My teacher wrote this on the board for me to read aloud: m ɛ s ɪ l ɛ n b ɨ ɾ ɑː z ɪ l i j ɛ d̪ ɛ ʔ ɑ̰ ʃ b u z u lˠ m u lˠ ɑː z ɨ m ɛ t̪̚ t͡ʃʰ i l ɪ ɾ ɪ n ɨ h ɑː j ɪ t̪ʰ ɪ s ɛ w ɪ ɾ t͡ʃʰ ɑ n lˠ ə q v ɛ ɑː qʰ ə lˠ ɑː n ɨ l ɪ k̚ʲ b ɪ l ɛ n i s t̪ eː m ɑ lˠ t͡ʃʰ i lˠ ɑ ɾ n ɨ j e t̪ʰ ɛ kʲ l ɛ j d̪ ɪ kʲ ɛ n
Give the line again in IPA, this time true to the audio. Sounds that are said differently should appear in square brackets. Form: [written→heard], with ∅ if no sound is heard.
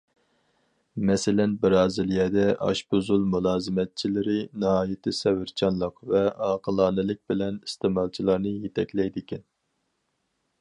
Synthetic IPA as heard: m ɛ s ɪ l ɛ n b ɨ ɾ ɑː z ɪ l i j ɛ d̪ ɛ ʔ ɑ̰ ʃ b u z u lˠ m u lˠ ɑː z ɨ m ɛ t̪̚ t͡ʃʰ i l ɪ ɾ ɪ n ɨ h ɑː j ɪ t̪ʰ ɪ s ɛ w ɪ ɾ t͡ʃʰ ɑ n lˠ ə q v ɛ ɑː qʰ ə lˠ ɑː n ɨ l ɪ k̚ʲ b ɪ l ɛ n i s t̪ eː m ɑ lˠ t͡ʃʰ i lˠ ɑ ɾ n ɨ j e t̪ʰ ɛ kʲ l ɛ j d̪ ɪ kʲ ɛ n